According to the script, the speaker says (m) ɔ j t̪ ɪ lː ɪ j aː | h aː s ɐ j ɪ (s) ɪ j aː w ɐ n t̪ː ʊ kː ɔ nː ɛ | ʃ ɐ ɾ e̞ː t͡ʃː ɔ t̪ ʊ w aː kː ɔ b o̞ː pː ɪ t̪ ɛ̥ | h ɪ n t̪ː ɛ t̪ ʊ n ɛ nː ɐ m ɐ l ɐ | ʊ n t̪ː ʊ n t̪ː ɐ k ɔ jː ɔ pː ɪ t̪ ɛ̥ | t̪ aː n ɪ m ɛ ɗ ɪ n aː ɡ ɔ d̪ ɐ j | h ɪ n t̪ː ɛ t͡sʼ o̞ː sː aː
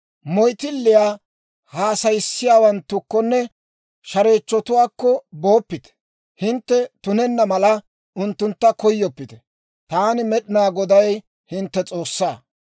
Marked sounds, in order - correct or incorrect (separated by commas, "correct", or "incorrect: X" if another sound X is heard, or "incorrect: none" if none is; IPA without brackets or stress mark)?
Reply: correct, incorrect: sː